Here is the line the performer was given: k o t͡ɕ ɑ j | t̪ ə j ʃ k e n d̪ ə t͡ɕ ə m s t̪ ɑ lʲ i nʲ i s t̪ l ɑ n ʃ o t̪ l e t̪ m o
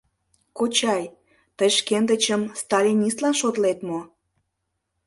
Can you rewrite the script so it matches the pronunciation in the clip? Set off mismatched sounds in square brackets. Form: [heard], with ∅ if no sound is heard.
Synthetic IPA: k o t͡ɕ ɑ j | t̪ ə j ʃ k e n d̪ ə t͡ɕ ə m s t̪ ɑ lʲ i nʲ i s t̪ l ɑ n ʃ o t̪ l e t̪ m o